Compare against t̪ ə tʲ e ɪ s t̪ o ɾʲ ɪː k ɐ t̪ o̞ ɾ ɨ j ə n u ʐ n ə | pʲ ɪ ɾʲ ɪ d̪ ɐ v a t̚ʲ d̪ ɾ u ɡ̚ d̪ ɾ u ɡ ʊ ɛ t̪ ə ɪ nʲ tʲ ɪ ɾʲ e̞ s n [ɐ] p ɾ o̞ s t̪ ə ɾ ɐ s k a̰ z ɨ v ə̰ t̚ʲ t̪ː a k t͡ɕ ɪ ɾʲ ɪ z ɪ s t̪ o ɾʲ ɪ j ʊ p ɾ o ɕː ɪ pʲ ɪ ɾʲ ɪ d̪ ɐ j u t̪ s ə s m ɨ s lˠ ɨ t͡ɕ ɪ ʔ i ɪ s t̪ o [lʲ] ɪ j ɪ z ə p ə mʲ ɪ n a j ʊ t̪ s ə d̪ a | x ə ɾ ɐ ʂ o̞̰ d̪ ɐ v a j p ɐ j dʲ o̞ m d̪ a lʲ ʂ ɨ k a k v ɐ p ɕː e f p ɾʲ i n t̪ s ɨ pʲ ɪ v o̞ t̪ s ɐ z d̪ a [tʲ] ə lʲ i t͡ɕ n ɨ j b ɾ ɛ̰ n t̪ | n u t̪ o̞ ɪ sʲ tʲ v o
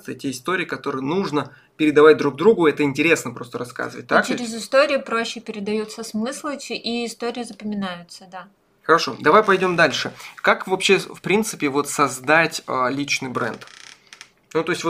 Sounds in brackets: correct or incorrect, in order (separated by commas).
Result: incorrect, incorrect, correct